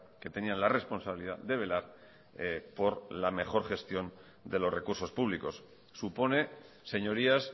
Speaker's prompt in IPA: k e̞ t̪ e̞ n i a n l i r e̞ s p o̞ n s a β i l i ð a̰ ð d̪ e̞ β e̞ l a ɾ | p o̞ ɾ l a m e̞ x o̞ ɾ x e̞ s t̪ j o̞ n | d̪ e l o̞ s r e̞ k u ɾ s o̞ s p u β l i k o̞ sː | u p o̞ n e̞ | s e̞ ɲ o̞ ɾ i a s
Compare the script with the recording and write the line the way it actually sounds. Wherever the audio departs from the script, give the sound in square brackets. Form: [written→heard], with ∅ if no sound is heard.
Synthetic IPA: k e̞ t̪ e̞ n i a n l [i→a] r e̞ s p o̞ n s a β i l i ð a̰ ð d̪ e̞ β e̞ l a ɾ | p o̞ ɾ l a m e̞ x o̞ ɾ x e̞ s t̪ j o̞ n | d̪ e l o̞ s r e̞ k u ɾ s o̞ s p u β l i k o̞ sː | u p o̞ n e̞ | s e̞ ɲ o̞ ɾ i a s